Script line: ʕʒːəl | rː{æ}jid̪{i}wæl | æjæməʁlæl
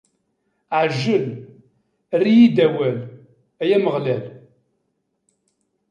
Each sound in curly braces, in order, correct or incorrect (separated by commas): incorrect, incorrect